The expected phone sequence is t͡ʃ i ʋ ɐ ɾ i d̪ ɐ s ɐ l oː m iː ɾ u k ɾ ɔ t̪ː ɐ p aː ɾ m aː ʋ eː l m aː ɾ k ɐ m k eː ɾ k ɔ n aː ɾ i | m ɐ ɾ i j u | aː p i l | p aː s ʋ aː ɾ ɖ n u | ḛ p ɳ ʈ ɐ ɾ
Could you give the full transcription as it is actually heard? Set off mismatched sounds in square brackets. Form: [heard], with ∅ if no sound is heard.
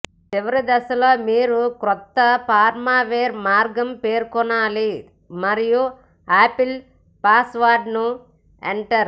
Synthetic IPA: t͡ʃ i ʋ ɐ ɾ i d̪ ɐ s ɐ l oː m iː ɾ u k ɾ ɔ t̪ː ɐ p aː ɾ m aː ʋ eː [ɾ] m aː ɾ [ɡ] ɐ m [p] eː ɾ k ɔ n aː [l] i | m ɐ ɾ i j u | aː p i l | p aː s ʋ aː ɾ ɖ n u | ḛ [∅] ɳ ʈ ɐ ɾ